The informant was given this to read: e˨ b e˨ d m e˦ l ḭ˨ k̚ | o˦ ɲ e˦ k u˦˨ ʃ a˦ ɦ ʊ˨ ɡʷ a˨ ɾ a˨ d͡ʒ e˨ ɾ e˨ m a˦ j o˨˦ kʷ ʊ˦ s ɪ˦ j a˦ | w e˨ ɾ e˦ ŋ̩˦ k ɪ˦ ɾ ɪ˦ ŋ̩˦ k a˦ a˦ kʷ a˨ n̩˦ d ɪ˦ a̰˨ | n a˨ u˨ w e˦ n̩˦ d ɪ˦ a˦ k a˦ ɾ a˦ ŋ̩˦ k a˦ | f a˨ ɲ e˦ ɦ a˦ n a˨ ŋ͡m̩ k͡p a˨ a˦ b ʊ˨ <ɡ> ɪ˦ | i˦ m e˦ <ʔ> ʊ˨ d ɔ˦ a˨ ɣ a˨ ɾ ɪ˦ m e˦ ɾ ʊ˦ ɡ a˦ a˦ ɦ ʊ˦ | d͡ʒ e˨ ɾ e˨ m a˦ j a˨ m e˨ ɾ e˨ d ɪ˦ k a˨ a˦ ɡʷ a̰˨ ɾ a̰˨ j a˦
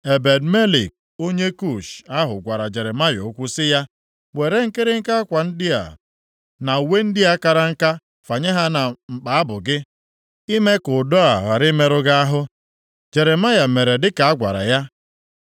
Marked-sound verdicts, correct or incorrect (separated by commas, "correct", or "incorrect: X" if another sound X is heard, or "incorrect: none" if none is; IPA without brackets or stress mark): correct, incorrect: k